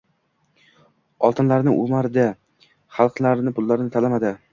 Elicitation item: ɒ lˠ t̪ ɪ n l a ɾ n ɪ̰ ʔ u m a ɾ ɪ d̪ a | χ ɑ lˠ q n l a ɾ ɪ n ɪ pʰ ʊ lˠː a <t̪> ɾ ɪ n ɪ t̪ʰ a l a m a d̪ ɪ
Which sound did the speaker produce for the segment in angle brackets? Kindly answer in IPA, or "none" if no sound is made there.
none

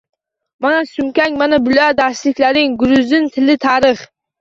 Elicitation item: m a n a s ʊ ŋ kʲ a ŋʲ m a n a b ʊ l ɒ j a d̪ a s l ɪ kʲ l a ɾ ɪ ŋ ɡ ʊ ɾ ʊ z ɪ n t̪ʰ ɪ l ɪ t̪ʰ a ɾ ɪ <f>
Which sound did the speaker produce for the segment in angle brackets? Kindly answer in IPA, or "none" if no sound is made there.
χ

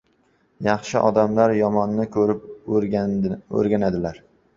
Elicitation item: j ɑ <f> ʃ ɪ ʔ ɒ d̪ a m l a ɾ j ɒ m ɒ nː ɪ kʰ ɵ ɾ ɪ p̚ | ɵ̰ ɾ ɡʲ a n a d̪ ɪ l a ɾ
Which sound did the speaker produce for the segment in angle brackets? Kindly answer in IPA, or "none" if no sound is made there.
χ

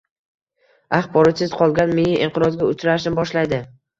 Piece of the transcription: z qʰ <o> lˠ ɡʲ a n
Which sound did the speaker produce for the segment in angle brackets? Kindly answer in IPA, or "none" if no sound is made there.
ɒ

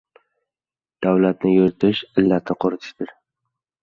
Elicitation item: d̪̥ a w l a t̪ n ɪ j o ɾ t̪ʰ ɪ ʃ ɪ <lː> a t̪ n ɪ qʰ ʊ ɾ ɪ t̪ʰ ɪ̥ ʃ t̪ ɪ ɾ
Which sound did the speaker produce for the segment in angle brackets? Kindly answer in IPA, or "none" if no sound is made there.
lː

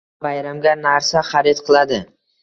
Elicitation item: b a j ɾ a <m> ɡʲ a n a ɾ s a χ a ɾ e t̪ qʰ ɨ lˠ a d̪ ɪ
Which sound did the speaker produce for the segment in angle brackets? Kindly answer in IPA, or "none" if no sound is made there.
m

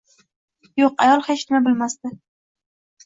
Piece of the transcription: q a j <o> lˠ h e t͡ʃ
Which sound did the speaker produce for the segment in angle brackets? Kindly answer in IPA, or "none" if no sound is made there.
ɒ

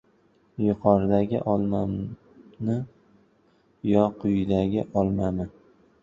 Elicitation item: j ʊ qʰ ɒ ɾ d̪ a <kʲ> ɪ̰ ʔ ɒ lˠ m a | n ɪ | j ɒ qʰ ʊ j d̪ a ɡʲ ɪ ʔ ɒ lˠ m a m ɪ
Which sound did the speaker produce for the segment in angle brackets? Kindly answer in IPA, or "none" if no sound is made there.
ɡʲ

